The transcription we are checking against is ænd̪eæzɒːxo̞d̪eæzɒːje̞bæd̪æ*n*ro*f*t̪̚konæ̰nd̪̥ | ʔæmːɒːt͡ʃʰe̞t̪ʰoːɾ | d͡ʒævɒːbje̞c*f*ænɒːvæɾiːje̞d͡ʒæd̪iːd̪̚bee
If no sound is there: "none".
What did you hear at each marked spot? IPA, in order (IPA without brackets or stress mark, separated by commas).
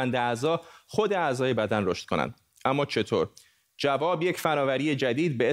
n, ʃ, f